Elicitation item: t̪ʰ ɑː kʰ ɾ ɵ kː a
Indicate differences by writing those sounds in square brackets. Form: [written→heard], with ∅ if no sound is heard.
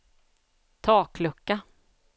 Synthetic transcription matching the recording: t̪ʰ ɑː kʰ [ɾ→l] ɵ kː a